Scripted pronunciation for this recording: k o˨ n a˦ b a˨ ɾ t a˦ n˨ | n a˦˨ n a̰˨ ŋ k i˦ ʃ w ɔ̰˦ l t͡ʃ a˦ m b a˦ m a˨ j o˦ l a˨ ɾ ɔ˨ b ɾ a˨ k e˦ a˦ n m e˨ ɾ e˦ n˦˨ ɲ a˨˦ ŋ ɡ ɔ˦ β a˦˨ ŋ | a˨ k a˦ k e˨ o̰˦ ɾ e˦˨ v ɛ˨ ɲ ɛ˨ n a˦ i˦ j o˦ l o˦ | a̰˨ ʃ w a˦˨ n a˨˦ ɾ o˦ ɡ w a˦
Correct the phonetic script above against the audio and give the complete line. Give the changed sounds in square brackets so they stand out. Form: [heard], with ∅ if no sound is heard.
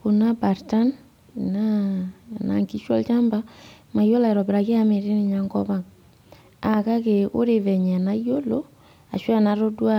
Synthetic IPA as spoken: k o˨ n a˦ b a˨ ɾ t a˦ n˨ | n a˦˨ n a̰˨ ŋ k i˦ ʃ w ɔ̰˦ l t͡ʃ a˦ m b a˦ m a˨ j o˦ l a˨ ɾ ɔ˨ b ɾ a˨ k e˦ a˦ [∅] m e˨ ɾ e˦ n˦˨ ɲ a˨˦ ŋ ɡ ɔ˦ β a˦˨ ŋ | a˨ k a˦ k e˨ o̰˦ ɾ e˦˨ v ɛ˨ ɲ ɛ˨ n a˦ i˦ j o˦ l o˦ | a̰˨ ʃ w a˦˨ n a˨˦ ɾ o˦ [d] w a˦